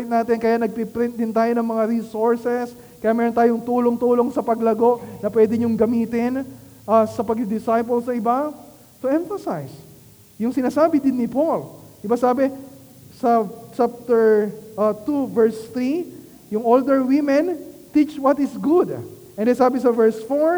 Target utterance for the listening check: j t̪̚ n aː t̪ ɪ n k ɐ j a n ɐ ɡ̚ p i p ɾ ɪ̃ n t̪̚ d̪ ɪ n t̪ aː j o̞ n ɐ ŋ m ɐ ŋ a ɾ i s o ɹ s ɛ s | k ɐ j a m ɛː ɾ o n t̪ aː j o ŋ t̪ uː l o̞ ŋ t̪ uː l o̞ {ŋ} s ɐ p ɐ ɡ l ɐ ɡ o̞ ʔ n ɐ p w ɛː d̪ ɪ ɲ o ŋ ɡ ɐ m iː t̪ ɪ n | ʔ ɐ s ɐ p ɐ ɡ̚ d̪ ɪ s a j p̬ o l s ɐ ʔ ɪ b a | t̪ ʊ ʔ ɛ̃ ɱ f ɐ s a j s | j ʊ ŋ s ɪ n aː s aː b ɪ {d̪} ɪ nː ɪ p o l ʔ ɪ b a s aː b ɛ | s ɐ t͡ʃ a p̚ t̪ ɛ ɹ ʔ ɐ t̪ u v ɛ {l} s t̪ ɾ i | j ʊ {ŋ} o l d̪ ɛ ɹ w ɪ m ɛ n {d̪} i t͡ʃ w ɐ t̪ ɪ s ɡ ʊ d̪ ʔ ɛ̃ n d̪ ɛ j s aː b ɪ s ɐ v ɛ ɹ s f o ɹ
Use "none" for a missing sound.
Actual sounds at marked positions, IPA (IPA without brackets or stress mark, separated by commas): ŋ, d̪, ɹ, ŋ, t̪